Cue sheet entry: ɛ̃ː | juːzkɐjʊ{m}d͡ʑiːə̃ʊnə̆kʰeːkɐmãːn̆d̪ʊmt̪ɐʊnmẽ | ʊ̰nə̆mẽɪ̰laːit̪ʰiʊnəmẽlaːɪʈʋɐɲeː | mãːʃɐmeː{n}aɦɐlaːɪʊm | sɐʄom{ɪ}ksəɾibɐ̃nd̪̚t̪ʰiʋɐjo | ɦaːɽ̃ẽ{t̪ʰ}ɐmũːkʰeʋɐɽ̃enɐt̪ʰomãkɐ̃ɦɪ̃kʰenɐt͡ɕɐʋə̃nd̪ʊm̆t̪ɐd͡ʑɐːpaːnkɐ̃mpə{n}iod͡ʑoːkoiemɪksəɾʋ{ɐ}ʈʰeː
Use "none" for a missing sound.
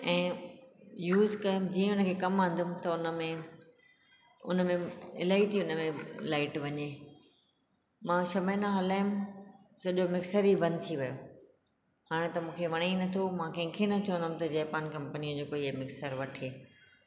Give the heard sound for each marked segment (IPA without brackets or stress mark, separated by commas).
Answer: m, n, ɪ, t̪, n, ɐ